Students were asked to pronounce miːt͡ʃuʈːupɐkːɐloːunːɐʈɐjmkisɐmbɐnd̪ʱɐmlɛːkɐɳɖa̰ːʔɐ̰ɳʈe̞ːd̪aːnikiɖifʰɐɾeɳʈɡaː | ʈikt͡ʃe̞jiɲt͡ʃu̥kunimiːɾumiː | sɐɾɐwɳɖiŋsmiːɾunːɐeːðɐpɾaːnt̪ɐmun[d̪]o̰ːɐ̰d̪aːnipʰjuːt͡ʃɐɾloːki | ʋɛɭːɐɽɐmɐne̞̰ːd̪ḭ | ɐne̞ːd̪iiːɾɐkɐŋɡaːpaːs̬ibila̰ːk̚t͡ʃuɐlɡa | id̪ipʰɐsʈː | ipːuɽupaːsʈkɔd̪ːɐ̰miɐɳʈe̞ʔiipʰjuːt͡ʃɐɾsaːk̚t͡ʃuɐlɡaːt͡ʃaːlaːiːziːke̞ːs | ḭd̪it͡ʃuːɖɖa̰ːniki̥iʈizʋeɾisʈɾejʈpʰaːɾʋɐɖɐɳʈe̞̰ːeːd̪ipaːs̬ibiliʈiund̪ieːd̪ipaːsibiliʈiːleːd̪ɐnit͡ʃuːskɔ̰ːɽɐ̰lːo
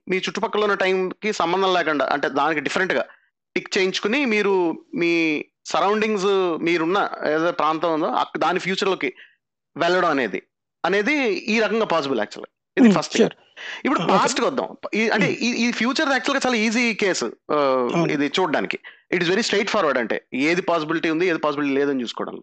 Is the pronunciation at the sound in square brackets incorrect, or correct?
correct